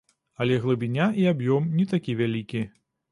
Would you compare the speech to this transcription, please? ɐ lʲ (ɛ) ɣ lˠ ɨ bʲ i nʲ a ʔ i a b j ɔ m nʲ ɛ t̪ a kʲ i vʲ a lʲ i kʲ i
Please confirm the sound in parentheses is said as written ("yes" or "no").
yes